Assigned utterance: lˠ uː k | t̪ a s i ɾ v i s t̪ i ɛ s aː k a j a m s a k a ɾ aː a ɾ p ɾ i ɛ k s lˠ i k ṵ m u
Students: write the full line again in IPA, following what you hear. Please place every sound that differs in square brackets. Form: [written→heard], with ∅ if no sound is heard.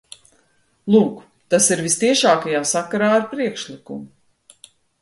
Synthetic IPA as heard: lˠ uː k | t̪ a s i ɾ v i s t̪ i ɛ [s→ʃ] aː k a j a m s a k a ɾ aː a ɾ p ɾ i ɛ k [s→ʃ] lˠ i k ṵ m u